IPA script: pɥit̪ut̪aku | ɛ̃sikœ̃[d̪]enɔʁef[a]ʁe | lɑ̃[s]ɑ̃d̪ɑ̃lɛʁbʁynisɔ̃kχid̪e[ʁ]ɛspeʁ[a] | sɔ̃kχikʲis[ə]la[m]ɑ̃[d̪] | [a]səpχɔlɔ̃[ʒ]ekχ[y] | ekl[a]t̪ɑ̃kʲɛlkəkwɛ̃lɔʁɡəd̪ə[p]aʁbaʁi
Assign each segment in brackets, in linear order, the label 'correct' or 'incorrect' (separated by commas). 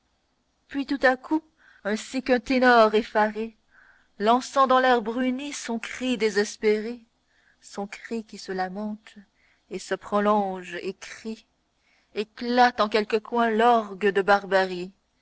incorrect, correct, correct, incorrect, incorrect, correct, correct, incorrect, incorrect, correct, incorrect, correct, incorrect